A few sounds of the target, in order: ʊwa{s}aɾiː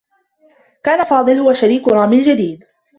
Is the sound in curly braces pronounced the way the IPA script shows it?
no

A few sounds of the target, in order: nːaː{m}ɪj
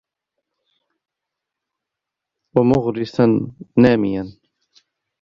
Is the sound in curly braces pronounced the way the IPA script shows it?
yes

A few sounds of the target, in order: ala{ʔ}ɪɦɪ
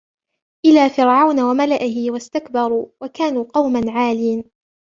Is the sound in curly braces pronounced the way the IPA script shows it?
yes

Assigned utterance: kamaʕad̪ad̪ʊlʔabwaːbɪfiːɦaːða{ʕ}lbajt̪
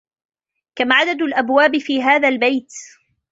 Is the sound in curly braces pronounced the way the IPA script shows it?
no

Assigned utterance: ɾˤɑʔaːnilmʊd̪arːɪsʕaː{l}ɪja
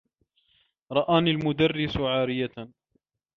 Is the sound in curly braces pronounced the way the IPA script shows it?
no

